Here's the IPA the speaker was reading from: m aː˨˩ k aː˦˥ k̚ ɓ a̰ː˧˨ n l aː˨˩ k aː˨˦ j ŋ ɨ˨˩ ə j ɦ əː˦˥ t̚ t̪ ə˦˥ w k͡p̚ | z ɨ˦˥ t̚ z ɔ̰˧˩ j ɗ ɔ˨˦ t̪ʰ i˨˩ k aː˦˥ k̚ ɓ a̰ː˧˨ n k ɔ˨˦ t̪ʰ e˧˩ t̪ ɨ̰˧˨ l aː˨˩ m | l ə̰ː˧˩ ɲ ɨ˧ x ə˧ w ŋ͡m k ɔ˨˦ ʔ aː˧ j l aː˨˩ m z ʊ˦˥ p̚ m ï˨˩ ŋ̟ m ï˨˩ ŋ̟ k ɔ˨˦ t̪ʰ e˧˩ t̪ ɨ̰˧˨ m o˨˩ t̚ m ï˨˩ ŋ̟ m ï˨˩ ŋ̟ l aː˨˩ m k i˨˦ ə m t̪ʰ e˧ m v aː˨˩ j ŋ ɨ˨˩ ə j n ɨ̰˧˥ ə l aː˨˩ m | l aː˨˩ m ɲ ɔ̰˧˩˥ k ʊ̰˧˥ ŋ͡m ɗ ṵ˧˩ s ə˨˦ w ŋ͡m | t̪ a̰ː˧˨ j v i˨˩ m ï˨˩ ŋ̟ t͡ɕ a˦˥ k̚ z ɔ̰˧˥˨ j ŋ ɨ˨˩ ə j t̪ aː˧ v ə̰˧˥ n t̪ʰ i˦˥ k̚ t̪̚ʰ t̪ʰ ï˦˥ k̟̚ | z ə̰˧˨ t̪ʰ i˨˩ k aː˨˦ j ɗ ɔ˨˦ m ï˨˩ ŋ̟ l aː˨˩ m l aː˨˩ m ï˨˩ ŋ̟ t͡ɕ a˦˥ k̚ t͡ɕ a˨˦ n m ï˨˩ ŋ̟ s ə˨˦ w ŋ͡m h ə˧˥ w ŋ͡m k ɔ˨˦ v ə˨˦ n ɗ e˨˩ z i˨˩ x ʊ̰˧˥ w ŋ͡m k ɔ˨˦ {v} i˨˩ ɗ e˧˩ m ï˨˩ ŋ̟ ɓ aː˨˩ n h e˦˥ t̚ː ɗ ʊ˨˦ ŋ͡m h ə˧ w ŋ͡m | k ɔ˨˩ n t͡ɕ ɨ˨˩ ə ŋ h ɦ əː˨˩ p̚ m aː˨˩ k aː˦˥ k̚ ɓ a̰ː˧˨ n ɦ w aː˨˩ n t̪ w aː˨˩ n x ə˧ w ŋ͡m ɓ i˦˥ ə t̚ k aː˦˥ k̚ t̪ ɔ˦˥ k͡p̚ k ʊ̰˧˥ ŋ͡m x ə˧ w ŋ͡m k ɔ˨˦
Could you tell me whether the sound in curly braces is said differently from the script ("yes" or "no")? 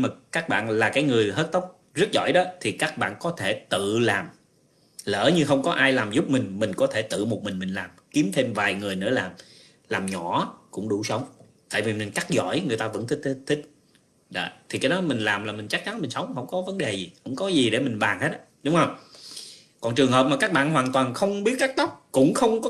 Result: yes